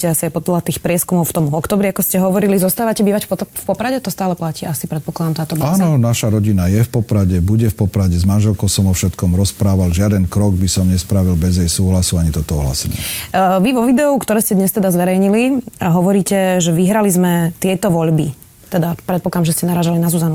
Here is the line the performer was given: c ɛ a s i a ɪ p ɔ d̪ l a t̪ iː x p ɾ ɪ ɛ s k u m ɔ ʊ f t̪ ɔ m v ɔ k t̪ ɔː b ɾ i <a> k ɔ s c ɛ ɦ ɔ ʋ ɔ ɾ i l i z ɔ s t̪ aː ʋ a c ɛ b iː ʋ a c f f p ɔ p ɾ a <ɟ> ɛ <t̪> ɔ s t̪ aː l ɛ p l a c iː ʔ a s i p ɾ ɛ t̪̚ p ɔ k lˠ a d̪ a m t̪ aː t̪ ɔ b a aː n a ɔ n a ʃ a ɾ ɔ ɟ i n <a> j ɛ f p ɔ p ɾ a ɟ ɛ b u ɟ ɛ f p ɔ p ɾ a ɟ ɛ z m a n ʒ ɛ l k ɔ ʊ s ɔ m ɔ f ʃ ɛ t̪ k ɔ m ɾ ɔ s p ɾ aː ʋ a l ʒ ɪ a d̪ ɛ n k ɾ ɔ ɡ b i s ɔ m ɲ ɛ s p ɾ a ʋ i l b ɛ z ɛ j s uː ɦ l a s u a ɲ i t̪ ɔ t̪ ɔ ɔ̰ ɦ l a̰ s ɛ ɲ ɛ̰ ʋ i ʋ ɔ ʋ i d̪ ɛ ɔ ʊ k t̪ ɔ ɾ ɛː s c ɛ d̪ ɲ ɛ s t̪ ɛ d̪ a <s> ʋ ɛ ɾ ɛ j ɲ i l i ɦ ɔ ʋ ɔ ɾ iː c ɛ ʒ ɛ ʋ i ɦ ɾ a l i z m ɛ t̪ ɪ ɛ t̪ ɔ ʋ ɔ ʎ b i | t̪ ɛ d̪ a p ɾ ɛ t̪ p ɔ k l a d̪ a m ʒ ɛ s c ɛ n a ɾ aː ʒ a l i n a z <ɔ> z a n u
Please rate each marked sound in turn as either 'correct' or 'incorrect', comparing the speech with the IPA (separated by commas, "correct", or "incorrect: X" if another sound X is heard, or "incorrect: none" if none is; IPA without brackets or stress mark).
correct, correct, correct, correct, incorrect: z, incorrect: u